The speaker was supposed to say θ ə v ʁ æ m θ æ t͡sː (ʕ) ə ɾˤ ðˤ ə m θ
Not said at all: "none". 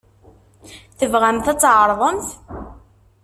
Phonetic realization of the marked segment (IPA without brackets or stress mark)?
ʕ